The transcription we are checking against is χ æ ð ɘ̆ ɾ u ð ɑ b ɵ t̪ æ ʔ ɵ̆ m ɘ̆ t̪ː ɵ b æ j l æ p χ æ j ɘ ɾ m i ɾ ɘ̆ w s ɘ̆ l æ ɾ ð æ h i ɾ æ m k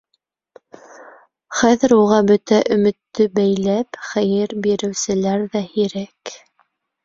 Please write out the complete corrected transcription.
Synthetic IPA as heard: χ æ ð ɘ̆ ɾ u ʁ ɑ b ɵ t̪ æ ʔ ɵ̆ m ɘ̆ t̪ː ɵ b æ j l æ p χ æ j ɘ ɾ b i ɾ ɘ̆ w s ɘ̆ l æ ɾ ð æ h i ɾ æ k